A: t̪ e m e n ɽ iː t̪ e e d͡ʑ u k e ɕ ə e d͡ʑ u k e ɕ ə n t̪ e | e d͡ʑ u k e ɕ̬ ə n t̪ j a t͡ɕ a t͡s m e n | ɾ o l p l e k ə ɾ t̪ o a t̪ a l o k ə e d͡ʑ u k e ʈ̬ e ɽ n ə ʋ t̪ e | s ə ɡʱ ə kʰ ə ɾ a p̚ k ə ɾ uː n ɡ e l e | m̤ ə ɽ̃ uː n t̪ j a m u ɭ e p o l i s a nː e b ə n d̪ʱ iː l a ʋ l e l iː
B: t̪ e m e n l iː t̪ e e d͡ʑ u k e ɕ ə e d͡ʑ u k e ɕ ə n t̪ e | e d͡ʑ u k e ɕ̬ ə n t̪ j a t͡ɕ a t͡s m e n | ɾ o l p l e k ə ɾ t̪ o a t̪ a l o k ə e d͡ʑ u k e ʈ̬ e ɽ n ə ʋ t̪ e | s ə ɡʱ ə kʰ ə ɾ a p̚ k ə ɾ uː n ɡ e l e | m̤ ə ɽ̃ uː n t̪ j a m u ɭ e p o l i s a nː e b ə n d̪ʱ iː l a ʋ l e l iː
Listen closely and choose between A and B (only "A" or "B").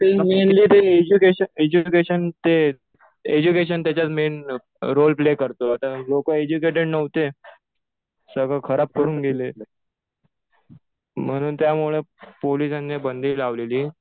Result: B